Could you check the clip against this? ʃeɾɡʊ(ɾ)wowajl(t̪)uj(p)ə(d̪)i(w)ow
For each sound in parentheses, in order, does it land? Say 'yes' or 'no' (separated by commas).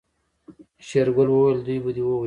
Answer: no, no, no, yes, yes